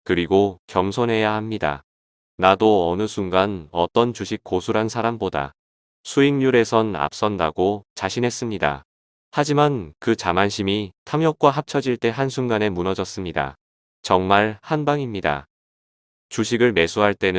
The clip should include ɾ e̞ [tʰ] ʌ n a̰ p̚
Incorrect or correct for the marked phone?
incorrect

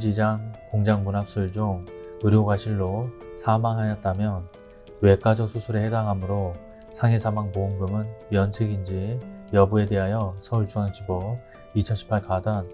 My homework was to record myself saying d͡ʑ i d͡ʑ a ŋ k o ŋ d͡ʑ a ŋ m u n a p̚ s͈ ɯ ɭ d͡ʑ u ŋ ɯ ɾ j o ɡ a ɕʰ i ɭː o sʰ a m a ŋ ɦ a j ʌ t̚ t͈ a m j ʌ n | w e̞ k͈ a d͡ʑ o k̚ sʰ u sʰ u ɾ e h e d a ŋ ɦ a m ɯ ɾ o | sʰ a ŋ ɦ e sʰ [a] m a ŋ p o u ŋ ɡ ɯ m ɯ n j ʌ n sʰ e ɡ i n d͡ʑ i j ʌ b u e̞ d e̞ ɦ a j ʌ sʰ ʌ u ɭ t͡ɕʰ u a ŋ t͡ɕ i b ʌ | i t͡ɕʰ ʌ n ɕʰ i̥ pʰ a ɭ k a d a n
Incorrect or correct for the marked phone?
correct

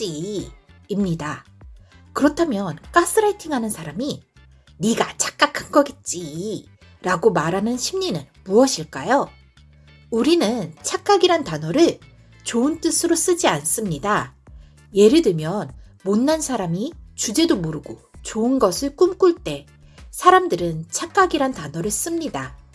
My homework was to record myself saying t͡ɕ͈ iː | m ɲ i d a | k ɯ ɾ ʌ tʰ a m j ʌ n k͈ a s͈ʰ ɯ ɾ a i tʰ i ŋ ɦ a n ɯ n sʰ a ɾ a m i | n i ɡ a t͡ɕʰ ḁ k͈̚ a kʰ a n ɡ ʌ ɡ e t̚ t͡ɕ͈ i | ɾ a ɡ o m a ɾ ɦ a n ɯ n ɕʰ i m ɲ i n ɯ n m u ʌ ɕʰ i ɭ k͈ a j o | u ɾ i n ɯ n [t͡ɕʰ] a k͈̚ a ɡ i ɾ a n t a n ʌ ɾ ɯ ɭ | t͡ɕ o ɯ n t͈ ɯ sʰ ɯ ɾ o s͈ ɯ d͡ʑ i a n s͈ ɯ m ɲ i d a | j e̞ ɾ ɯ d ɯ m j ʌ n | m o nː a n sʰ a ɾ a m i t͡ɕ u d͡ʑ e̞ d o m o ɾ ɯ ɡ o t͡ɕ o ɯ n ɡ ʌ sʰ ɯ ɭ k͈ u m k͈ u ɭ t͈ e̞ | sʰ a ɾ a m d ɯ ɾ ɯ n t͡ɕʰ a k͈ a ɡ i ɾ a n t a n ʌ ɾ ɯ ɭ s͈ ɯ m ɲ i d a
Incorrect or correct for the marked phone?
correct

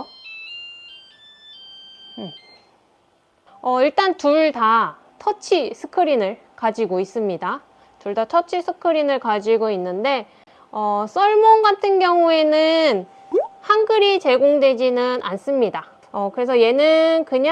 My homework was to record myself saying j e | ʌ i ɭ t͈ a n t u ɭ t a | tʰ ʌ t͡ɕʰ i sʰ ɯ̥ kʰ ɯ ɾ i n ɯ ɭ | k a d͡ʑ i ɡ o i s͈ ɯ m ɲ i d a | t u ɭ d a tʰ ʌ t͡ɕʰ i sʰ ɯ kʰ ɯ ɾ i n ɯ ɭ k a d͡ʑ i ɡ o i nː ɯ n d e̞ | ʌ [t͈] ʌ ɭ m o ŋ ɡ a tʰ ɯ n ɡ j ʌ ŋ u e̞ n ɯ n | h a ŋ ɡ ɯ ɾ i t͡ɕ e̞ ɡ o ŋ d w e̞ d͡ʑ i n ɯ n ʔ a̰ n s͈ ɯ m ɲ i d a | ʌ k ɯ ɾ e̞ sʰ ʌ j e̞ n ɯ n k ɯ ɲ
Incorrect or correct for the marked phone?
incorrect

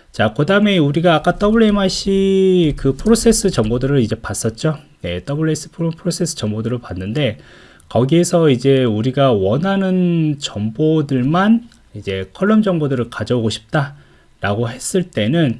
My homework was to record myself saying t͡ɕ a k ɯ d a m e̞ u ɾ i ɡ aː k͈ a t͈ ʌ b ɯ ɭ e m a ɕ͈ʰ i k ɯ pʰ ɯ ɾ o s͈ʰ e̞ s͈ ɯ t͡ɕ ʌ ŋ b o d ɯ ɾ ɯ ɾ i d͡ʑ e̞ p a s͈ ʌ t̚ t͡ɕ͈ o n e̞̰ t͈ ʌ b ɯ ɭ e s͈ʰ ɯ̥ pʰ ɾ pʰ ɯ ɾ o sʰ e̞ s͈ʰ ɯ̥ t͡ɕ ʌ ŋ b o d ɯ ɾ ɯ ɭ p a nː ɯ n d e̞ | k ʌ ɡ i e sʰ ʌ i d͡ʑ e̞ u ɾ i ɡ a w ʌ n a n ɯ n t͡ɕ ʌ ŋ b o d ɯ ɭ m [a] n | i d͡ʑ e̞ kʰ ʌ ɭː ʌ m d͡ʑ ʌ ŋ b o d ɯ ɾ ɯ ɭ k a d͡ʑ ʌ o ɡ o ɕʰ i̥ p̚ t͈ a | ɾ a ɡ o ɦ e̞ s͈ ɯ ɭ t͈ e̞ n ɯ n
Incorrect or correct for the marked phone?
correct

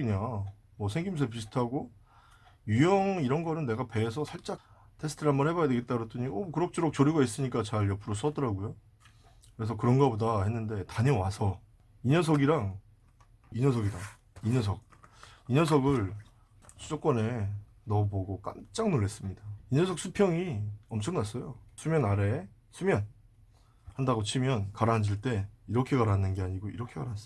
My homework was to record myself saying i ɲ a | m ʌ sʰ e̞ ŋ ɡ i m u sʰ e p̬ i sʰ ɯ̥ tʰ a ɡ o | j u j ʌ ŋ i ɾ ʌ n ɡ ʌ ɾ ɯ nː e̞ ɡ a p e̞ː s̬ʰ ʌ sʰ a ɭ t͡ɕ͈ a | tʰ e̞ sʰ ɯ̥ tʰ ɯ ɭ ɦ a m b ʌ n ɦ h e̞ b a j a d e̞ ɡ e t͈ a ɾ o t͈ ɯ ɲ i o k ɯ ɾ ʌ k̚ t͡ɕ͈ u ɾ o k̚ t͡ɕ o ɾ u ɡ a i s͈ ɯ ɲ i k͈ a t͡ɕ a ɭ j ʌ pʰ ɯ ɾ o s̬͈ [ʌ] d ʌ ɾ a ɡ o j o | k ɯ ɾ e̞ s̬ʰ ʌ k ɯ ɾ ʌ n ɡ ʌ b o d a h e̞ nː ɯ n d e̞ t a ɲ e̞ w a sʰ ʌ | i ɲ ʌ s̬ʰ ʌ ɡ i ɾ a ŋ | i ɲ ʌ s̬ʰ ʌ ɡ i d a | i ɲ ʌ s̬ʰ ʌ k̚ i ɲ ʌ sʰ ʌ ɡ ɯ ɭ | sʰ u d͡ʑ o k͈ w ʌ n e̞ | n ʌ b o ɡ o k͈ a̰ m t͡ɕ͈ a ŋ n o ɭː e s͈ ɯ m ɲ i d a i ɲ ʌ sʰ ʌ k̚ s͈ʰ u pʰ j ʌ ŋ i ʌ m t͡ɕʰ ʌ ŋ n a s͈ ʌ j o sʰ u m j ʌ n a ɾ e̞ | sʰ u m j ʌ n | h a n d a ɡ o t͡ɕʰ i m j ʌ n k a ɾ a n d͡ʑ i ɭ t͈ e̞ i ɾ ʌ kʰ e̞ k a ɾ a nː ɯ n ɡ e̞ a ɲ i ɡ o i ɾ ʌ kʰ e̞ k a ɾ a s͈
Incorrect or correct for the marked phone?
correct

